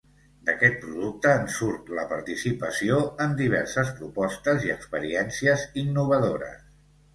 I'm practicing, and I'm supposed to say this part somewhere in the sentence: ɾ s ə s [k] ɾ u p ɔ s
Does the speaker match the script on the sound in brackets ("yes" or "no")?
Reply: no